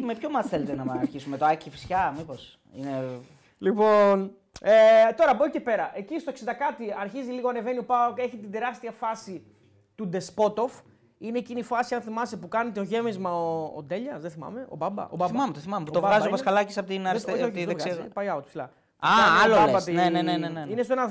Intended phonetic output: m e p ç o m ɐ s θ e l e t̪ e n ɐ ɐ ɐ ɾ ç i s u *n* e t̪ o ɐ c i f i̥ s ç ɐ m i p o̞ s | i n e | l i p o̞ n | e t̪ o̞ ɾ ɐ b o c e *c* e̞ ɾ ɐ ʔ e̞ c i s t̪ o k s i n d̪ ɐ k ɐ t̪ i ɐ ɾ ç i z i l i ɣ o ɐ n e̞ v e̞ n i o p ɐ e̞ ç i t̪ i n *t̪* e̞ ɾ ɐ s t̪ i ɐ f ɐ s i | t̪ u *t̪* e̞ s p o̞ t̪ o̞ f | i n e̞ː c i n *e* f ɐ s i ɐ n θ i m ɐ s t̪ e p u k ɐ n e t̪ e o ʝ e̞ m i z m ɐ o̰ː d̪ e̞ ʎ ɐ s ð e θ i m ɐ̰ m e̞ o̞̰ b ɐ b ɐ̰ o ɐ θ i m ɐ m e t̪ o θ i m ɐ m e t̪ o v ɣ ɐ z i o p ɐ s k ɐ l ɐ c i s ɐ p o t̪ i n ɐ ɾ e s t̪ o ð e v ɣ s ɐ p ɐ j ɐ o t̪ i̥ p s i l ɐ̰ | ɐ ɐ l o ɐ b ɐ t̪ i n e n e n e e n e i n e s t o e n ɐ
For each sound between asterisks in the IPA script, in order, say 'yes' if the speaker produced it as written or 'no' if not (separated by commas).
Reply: no, no, no, no, no